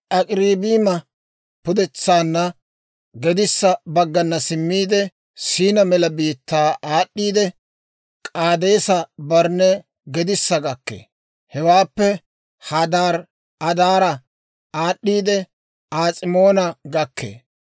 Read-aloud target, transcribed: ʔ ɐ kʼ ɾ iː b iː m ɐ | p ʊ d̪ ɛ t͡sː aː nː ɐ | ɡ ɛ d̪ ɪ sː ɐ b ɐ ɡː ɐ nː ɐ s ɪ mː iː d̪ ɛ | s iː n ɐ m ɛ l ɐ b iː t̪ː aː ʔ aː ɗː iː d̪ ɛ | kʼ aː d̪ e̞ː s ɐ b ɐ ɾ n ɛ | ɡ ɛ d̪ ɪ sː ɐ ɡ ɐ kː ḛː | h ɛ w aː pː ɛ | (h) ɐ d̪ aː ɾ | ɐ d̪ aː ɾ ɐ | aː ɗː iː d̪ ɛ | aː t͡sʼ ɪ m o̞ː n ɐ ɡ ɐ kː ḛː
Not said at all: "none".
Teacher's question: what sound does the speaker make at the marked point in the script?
h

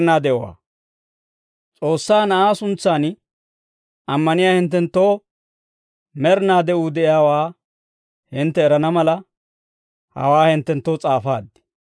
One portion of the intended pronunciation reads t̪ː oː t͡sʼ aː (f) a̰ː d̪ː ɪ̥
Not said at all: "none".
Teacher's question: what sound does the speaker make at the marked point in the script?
f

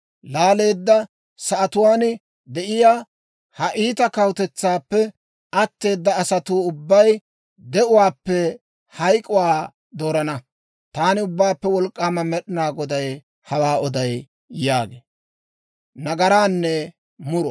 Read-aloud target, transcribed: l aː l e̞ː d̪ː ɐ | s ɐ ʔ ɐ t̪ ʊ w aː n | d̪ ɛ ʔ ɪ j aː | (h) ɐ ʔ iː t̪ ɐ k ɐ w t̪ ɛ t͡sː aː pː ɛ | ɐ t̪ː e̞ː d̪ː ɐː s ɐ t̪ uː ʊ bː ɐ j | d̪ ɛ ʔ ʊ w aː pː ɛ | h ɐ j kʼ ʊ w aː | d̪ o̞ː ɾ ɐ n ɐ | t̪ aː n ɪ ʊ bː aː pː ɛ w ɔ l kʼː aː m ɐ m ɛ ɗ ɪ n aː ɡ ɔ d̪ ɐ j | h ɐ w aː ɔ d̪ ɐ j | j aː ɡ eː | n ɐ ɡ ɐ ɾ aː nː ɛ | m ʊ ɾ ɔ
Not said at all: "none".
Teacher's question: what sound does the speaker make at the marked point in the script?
h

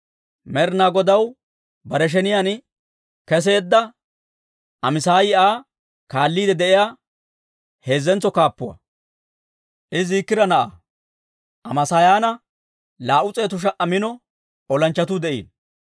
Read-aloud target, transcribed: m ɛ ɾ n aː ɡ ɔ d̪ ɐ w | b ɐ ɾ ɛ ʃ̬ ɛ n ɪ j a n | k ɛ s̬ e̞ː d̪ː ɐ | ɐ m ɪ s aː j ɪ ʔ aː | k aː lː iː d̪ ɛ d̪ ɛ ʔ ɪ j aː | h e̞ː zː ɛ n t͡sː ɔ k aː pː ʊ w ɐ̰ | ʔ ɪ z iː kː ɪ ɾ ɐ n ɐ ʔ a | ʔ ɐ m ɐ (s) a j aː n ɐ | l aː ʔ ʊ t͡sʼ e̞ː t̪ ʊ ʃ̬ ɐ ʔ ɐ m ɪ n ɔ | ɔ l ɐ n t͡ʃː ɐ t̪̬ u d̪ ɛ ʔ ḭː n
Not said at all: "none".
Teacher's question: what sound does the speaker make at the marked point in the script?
s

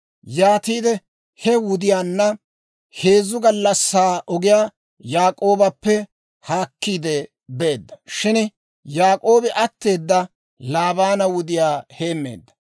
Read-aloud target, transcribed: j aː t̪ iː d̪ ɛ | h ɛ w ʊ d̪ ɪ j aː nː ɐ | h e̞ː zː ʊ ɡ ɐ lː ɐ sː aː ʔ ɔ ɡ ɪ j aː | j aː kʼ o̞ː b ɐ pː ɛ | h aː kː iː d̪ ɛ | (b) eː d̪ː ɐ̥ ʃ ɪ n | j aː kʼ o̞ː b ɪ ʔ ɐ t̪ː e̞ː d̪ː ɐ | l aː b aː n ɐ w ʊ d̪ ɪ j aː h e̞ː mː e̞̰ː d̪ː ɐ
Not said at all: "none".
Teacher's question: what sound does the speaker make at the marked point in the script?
b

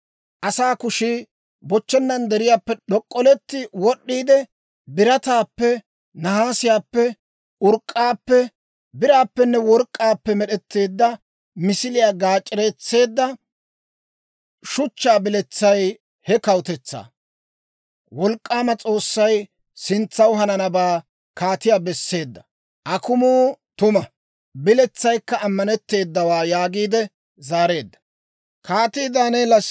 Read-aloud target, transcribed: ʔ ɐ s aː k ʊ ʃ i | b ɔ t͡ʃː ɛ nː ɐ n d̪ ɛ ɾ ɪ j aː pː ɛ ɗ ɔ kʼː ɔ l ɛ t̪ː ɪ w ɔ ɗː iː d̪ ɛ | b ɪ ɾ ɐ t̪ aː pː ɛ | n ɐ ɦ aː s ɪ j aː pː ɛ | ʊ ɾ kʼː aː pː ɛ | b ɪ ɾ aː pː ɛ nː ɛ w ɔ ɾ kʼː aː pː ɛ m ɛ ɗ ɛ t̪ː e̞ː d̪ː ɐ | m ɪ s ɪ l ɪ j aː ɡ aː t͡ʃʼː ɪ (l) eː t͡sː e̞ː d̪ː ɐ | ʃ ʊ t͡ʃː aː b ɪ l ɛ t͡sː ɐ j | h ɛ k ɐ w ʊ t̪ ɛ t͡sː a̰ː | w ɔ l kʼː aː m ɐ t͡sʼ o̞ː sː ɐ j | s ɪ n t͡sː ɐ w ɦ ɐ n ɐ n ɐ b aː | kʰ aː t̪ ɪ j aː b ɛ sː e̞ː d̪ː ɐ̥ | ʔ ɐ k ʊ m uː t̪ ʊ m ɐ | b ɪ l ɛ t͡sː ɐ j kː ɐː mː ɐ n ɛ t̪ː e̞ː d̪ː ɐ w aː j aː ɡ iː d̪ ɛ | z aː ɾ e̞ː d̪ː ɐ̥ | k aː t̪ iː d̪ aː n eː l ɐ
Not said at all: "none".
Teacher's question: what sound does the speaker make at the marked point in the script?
ɾ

